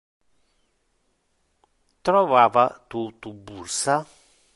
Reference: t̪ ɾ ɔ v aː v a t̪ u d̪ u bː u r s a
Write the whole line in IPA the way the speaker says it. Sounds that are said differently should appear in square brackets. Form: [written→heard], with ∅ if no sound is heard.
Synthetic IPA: t̪ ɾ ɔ v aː v a t̪ u [d̪→t̪] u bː u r s a